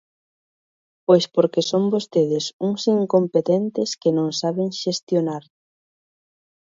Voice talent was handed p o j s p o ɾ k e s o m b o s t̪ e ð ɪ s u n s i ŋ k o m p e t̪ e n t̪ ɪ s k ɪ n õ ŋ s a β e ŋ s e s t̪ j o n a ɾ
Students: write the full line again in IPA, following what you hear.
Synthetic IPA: p o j s p o ɾ k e s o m b o s t̪ e ð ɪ s u ŋ s i ŋ k o m p e t̪ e n t̪ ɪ s k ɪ n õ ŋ s a β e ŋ ʃ e s t̪ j o n a ɾ